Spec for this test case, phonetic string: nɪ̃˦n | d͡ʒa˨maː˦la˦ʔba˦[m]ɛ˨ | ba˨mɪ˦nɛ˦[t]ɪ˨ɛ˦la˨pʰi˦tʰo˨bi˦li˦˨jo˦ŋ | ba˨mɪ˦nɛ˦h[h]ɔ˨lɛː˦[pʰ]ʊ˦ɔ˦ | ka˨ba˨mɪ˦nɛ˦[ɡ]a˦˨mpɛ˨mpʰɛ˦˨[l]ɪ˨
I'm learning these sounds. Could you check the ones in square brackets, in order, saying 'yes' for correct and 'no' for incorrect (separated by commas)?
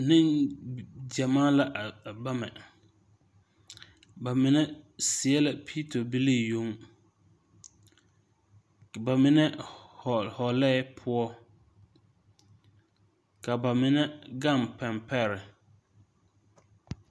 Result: yes, no, yes, yes, yes, no